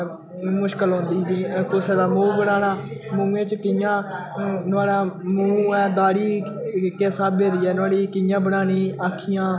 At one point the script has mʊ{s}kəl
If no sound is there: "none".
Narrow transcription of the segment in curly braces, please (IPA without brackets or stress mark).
ʃ